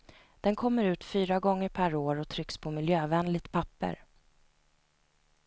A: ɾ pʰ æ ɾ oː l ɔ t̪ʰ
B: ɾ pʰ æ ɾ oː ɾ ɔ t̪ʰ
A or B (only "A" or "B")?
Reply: B